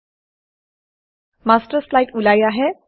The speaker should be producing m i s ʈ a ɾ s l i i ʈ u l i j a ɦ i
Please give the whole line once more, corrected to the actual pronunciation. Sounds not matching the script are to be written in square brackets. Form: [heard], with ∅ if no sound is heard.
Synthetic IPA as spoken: m [a] s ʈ [ə] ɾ s l [a] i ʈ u l [a] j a ɦ [e]